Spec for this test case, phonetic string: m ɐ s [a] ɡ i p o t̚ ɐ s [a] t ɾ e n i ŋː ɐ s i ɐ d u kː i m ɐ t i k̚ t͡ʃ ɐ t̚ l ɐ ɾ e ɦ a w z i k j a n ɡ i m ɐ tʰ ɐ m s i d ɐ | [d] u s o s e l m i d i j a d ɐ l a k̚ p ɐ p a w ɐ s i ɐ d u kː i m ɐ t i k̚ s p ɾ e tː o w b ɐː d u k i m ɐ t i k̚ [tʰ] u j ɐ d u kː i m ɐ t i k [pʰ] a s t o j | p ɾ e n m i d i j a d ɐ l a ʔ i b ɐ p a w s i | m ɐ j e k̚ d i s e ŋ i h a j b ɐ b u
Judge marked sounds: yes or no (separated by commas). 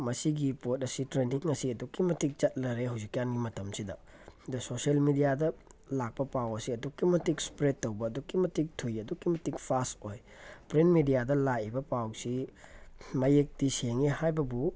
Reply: no, no, yes, yes, yes